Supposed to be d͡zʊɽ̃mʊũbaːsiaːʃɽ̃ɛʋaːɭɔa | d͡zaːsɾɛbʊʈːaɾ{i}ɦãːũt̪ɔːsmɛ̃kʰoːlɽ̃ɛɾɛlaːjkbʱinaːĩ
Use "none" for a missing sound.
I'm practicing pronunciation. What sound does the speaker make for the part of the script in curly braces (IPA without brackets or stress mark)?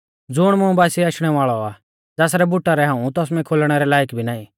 ɛ